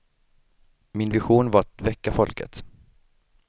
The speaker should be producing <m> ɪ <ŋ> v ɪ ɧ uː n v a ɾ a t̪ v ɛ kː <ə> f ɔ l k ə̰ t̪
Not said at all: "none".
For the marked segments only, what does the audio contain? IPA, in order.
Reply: m, n, a

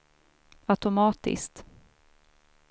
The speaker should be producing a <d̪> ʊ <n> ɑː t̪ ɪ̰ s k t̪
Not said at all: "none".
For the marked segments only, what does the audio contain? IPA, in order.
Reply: t̪, m

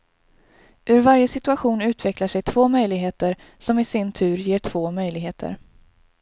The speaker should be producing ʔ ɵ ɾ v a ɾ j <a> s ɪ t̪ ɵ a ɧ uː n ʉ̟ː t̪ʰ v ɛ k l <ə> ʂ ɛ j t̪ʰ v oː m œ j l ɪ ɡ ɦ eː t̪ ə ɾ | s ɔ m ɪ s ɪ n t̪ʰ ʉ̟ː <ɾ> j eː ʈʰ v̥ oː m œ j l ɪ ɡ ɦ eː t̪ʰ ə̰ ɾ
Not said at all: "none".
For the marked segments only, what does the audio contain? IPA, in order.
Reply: ə, a, ɾ

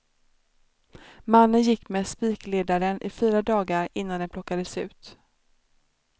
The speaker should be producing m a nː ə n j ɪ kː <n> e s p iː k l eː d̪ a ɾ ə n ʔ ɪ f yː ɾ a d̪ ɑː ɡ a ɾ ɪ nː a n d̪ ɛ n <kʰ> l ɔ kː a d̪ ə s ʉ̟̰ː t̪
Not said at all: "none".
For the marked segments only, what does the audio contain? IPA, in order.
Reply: m, pʰ

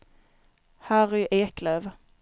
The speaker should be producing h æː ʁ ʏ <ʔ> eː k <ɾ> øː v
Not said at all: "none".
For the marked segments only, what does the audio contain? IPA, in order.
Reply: ʔ, l

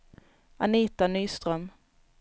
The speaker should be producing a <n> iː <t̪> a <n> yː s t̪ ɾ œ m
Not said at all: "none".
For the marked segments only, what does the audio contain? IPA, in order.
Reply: n, t̪, n

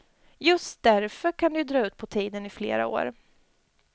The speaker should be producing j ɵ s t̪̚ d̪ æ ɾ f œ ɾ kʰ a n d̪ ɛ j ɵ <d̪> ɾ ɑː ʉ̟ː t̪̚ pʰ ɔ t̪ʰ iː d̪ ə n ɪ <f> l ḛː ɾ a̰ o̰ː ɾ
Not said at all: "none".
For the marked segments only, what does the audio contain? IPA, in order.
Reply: d̪, f

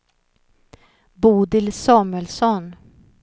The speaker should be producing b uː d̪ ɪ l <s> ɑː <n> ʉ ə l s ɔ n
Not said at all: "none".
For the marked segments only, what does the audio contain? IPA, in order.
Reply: s, m

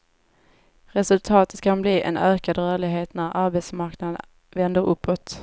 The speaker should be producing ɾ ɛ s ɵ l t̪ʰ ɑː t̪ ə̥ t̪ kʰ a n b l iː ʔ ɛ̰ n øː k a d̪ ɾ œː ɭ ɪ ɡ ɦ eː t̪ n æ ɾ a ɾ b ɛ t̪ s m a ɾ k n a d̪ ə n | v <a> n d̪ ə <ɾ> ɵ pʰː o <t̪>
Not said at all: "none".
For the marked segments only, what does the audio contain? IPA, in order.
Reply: ɛ, ɾ, t̪

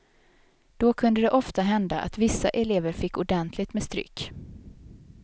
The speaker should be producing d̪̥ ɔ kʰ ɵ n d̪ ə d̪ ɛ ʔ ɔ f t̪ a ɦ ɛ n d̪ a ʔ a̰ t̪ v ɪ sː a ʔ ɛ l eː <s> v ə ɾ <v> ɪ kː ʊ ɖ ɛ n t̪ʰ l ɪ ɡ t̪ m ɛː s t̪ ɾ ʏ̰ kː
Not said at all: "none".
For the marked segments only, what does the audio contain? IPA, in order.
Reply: none, f

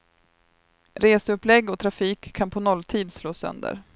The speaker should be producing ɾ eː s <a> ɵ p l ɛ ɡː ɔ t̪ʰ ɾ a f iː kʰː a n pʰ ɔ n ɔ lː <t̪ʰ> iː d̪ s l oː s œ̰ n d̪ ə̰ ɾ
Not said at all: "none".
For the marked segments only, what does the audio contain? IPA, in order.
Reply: ə, t̪ʰ

